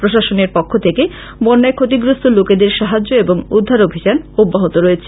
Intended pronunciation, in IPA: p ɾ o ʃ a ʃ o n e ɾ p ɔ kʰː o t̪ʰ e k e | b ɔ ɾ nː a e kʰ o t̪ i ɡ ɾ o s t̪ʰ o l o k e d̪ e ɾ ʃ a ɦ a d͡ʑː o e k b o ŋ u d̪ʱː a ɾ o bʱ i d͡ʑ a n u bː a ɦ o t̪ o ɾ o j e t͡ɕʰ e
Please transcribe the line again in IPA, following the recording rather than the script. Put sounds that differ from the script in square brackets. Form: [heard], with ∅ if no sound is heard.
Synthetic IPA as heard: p ɾ o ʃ a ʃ o n e ɾ p ɔ kʰː o t̪ʰ e k e | b ɔ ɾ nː a e kʰ o t̪ i ɡ ɾ o s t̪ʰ o l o k e d̪ e ɾ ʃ a ɦ a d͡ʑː o e [∅] b o ŋ u d̪ʱː a ɾ o bʱ i d͡ʑ a n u bː a ɦ o t̪ o ɾ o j e t͡ɕʰ e